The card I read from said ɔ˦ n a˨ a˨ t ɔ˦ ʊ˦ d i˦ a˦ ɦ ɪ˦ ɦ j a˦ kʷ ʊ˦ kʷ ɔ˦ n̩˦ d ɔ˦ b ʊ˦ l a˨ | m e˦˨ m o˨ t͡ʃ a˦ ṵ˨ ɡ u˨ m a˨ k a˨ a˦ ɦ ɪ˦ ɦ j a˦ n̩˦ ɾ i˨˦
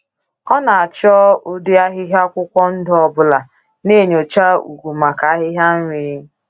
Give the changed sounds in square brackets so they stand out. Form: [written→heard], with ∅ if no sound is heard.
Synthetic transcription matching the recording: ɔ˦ n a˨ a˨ [t→t͡ʃ] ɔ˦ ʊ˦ d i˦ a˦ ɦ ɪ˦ ɦ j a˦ kʷ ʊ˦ kʷ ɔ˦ n̩˦ d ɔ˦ b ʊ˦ l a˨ | [m→n] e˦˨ [m→ɲ] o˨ t͡ʃ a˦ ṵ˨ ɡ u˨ m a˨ k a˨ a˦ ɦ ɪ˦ ɦ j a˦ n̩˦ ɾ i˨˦